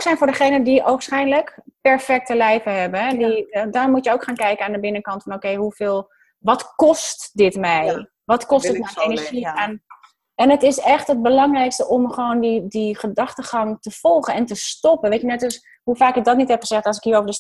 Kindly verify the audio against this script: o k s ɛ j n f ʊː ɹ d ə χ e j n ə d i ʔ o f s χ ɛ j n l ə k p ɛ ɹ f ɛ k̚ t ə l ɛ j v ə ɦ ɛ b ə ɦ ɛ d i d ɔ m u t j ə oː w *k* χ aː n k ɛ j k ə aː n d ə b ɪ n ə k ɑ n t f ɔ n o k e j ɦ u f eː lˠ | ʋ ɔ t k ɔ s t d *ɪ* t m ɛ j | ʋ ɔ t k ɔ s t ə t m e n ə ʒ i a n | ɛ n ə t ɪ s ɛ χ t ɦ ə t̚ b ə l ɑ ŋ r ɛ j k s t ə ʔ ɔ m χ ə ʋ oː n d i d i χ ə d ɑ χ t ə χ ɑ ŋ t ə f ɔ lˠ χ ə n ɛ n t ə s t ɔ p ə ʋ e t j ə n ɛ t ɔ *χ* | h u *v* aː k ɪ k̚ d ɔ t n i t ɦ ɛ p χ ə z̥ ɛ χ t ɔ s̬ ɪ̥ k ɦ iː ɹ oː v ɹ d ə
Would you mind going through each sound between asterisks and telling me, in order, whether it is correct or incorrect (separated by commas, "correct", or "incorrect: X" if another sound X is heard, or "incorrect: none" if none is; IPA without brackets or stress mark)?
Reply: correct, correct, incorrect: s, incorrect: f